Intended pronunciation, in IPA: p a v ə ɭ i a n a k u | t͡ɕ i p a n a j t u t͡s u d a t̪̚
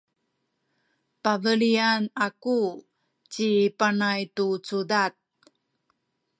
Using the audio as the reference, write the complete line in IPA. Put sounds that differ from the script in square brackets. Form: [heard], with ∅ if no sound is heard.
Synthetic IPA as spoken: p a v ə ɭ i a n a k u | t͡ɕ i p a n a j t u t͡s u d a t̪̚

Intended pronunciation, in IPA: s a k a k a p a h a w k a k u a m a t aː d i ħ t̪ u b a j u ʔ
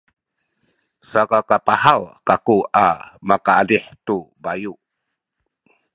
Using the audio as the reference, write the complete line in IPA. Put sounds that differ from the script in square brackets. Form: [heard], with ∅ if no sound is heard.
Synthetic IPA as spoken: s a k a k a p a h a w k a k u a m a [k] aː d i ħ t̪ u b a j u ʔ

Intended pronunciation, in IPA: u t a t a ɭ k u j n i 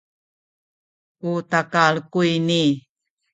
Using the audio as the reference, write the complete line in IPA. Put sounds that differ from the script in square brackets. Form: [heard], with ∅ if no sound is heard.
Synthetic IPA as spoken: u t a [k] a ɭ k u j n i

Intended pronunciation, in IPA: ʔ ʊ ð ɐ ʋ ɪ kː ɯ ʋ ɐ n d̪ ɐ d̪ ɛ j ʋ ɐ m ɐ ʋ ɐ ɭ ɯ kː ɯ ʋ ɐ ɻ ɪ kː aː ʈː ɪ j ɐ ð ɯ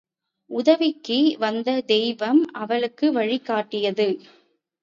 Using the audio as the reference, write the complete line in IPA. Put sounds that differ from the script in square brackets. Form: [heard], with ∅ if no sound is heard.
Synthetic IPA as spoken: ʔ ʊ ð ɐ ʋ ɪ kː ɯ ʋ ɐ n d̪ ɐ d̪ ɛ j ʋ ɐ m ɐ ʋ ɐ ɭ ɯ kː ɯ ʋ ɐ ɻ ɪ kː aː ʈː ɪ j ɐ ð ɯ

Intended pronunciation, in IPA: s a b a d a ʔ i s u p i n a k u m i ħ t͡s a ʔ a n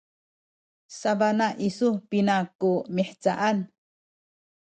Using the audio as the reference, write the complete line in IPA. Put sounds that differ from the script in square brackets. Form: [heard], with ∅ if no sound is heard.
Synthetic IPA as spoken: s a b a [n] a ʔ i s u p i n a k u m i ħ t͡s a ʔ a n

